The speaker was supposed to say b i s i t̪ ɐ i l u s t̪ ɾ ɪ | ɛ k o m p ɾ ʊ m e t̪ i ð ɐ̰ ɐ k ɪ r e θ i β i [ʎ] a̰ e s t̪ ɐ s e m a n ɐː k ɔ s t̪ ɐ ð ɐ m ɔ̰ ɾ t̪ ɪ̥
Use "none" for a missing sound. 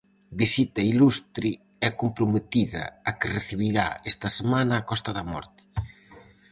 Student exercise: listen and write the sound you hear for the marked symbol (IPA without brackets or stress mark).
ɾ